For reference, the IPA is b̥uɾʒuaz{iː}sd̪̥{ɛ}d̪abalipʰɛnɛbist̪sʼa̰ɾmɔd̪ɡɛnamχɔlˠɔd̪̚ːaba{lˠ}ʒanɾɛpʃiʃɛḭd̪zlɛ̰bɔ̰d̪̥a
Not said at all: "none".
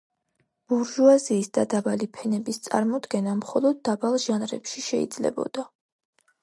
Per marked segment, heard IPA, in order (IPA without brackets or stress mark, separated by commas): iː, a, lˠ